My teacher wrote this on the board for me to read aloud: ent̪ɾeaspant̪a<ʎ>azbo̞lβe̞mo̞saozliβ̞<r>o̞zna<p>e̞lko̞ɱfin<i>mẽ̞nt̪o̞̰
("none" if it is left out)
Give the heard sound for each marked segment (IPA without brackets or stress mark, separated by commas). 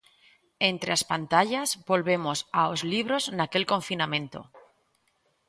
ʎ, ɾ, k, a